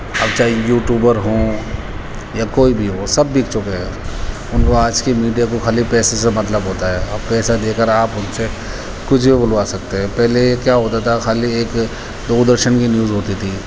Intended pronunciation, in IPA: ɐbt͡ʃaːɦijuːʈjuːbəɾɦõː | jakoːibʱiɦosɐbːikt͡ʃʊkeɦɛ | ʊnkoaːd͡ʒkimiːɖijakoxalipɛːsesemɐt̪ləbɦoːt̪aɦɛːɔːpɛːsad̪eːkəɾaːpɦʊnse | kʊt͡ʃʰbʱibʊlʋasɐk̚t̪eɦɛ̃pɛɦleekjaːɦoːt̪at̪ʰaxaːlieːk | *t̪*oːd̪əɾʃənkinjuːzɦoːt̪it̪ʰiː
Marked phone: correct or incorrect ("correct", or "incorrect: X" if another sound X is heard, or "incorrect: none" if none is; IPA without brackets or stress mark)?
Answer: incorrect: d̪